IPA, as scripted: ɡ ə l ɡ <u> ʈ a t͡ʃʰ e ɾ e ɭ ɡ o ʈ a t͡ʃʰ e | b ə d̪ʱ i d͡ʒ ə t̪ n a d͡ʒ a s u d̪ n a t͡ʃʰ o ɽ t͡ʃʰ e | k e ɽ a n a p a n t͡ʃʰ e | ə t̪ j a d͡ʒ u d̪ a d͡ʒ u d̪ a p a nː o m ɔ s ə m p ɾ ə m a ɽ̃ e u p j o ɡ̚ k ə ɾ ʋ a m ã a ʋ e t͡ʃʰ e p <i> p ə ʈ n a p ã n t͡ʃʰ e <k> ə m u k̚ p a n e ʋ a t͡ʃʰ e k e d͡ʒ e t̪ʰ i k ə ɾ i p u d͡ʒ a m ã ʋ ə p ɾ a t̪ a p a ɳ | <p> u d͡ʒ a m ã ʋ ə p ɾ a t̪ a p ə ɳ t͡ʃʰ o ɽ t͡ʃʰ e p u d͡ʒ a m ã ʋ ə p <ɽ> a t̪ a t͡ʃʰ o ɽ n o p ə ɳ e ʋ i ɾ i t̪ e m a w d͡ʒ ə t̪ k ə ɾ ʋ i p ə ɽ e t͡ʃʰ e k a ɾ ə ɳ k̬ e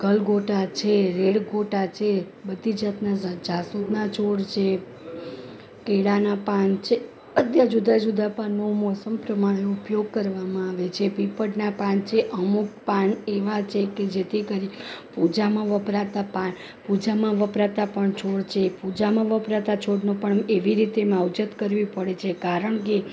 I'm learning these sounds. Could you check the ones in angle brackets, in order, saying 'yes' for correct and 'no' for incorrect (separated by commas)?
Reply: no, yes, no, yes, no